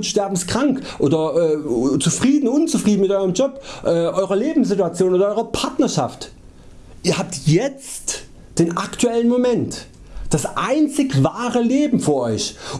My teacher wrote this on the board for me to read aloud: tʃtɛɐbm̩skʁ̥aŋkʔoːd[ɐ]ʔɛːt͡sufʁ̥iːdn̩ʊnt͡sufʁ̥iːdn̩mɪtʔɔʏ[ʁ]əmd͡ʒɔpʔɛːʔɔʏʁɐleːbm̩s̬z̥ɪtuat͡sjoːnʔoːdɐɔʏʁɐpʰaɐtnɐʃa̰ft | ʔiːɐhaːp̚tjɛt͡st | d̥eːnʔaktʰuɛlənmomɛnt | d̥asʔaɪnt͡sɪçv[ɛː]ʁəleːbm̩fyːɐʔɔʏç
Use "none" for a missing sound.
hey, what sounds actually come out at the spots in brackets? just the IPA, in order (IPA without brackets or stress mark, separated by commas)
ɐ, ʁ, aː